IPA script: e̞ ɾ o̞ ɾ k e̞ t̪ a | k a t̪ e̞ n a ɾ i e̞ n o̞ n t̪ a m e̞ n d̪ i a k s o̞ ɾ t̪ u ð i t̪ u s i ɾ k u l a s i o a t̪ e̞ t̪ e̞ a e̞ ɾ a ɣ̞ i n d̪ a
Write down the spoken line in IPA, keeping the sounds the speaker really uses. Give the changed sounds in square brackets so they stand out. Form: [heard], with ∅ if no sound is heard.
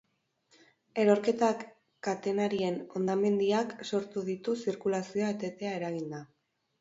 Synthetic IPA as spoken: e̞ ɾ o̞ ɾ k e̞ t̪ a | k a t̪ e̞ n a ɾ i e̞ n o̞ n [d̪] a m e̞ n d̪ i a k s o̞ ɾ t̪ u ð i t̪ u s i ɾ k u l a s i o a t̪ e̞ t̪ e̞ a e̞ ɾ a ɣ̞ i n d̪ a